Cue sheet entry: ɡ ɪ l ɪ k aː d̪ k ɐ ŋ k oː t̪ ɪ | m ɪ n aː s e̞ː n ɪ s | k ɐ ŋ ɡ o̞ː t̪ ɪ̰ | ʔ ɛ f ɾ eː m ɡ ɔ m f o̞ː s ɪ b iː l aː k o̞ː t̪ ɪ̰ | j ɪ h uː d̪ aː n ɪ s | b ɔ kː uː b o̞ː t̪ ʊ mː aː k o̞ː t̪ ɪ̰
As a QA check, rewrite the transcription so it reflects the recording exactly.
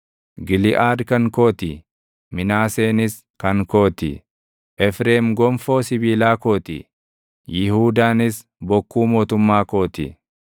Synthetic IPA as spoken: ɡ ɪ l ɪ ʔ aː d̪ k ɐ ŋ k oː t̪ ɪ | m ɪ n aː s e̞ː n ɪ s | k ɐ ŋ k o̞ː t̪ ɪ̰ | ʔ ɛ f ɾ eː m ɡ ɔ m f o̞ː s ɪ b iː l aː k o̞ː t̪ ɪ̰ | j ɪ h uː d̪ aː n ɪ s | b ɔ kː uː m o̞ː t̪ ʊ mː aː k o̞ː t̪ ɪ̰